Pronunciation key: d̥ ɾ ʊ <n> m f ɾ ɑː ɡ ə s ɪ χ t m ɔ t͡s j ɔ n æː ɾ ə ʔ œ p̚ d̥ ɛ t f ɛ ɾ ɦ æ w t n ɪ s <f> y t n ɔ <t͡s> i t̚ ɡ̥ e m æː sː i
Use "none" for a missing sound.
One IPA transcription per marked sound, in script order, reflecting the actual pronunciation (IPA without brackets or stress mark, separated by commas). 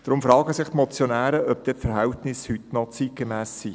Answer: none, h, t͡s